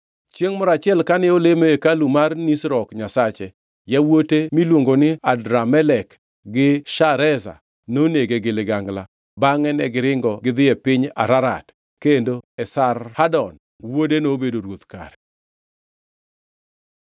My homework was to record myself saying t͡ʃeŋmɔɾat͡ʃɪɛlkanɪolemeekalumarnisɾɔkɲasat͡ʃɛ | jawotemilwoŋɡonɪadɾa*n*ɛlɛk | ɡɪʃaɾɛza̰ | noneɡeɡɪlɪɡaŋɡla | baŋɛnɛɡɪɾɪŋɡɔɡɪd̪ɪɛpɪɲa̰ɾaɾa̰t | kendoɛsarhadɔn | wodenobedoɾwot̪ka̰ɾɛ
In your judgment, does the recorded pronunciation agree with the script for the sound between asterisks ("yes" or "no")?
no